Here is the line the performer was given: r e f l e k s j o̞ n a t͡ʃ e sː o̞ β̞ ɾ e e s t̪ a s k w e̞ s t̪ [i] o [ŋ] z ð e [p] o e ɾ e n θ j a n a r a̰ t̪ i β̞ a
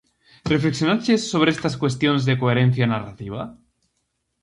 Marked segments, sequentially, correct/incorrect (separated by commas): incorrect, incorrect, incorrect